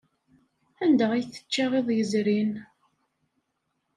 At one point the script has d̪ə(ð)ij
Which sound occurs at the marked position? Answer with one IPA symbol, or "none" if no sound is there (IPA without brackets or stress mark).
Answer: ʁ